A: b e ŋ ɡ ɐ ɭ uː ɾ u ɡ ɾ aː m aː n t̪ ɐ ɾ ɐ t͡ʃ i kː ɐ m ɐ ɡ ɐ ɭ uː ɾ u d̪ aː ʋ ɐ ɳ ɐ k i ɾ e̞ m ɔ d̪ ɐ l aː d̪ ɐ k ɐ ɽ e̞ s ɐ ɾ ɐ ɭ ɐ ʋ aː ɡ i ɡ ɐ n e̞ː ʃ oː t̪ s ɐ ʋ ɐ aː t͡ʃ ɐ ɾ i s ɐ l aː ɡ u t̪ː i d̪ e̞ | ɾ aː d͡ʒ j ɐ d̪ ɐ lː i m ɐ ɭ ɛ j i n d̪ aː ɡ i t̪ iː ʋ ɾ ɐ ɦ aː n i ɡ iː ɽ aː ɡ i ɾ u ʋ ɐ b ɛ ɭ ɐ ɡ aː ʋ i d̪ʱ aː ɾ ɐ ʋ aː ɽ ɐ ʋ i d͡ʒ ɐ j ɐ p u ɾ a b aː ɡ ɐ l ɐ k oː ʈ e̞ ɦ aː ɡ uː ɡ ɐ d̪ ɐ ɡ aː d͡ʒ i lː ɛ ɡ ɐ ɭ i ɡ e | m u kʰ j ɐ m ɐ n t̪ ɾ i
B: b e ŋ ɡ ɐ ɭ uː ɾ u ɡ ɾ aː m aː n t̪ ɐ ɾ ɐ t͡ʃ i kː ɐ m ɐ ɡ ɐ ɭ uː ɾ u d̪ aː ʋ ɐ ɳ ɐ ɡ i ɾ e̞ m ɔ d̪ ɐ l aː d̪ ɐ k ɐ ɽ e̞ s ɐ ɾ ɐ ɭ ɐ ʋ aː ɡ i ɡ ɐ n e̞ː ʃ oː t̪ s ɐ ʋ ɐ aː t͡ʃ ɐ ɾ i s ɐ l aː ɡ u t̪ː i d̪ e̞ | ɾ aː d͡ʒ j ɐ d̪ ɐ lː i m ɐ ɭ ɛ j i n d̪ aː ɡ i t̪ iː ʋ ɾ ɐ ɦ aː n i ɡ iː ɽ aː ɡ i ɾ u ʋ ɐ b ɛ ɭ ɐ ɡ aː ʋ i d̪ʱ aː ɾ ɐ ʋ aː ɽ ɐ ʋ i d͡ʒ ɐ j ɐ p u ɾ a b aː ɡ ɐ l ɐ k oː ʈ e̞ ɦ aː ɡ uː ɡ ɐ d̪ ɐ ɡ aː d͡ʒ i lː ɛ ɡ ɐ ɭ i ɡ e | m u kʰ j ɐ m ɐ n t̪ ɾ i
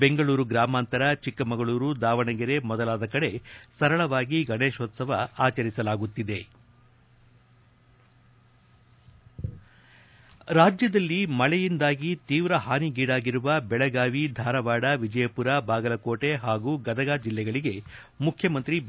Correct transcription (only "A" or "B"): B